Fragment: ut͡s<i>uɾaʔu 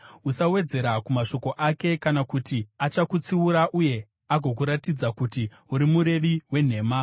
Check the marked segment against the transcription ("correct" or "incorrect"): correct